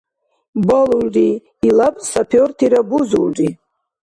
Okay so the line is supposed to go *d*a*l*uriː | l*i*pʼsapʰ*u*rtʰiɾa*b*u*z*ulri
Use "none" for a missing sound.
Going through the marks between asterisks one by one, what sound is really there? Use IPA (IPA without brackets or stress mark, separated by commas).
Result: b, l, a, o, b, z